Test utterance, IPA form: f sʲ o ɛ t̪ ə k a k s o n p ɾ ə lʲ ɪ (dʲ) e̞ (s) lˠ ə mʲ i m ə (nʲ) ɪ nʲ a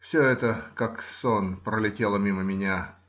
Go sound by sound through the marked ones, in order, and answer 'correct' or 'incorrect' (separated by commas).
incorrect, incorrect, incorrect